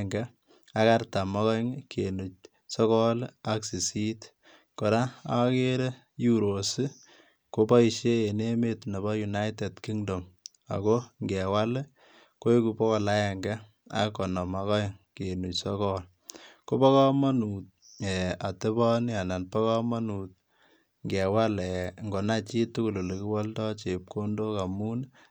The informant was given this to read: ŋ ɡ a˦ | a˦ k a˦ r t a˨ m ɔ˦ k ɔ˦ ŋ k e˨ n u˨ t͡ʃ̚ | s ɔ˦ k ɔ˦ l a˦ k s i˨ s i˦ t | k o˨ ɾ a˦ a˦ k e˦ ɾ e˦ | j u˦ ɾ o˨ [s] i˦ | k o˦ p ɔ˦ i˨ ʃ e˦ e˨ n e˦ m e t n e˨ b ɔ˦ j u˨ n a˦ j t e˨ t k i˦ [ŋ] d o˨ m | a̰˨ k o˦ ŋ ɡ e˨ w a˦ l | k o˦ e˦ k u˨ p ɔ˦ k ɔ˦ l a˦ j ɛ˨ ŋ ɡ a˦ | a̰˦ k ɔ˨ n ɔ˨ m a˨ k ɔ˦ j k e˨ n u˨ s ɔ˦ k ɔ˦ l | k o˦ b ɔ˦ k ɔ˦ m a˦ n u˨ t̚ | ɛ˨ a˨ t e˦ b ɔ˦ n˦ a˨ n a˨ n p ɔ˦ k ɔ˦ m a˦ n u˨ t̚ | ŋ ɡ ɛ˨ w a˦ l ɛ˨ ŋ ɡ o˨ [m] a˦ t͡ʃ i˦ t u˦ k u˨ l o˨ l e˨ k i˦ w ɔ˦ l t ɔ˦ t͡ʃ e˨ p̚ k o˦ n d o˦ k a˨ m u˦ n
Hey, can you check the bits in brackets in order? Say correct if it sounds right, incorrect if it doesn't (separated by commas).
correct, correct, incorrect